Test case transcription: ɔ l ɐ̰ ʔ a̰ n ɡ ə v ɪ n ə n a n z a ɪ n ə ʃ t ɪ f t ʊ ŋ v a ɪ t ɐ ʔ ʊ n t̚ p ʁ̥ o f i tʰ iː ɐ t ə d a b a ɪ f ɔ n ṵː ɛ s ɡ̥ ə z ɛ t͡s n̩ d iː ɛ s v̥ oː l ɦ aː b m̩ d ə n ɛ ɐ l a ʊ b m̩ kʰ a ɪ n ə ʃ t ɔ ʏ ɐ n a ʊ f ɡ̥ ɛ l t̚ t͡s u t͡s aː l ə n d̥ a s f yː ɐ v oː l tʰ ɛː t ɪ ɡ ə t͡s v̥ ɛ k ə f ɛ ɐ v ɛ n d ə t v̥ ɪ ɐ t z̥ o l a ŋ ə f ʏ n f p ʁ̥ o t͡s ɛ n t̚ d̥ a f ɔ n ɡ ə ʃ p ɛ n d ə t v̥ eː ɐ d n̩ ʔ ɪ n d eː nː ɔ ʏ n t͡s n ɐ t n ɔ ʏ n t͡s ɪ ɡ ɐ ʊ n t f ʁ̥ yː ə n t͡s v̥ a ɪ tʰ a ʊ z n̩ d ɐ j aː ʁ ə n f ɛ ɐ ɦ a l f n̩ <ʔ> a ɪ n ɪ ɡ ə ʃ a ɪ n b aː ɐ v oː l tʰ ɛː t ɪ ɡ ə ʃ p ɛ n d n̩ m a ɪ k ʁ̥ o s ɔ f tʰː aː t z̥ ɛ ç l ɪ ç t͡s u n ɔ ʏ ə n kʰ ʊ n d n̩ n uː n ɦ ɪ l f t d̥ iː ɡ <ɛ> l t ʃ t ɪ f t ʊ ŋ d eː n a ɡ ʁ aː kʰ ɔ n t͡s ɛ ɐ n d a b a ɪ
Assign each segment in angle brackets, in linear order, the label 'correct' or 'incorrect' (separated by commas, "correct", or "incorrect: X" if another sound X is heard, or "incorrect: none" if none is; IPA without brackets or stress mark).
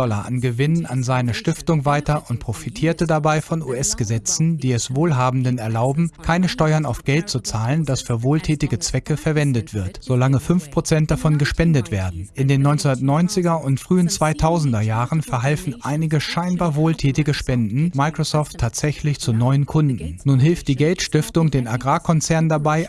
correct, correct